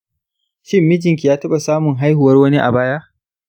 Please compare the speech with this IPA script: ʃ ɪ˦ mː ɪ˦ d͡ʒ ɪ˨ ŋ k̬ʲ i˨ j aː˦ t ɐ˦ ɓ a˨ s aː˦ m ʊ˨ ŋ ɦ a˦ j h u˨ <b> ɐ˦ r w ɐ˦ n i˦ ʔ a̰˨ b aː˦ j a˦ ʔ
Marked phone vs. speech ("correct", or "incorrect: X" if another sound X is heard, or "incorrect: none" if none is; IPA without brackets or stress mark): incorrect: w